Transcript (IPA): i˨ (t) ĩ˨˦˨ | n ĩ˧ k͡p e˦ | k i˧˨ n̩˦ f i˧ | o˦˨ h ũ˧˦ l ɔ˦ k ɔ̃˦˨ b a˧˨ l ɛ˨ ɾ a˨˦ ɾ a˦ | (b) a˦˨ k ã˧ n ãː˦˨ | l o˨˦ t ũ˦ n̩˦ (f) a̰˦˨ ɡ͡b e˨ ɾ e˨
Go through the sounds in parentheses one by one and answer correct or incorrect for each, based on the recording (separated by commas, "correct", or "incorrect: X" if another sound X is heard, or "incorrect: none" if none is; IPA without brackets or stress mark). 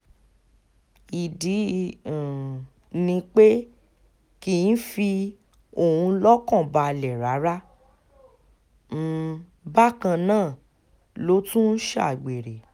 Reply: incorrect: d, correct, incorrect: ʃ